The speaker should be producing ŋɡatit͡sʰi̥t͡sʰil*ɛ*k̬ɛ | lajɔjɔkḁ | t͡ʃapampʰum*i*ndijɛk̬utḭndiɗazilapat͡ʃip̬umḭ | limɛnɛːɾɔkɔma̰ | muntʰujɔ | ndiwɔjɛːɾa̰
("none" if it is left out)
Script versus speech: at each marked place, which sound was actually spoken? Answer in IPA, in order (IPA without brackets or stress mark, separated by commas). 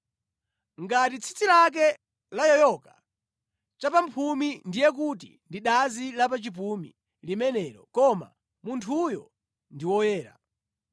a, i